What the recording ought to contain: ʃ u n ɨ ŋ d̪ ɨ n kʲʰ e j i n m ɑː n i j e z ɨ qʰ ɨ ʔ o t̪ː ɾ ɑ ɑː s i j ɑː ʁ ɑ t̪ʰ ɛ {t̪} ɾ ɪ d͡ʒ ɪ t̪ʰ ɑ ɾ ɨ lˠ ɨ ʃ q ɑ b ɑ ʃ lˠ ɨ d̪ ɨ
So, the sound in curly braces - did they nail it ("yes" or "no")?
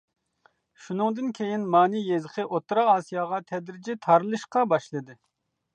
no